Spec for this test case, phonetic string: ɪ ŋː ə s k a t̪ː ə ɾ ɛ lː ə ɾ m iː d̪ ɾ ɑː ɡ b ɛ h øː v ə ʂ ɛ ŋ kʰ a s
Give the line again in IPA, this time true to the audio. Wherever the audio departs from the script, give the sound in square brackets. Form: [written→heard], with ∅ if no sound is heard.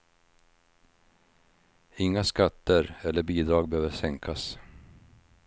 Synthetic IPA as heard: ɪ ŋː [ə→a] s k a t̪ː ə ɾ ɛ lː ə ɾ [m→b] iː d̪ ɾ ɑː ɡ b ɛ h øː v ə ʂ ɛ ŋ kʰ a s